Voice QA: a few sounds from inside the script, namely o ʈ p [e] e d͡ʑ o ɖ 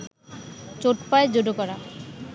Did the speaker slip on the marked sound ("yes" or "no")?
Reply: yes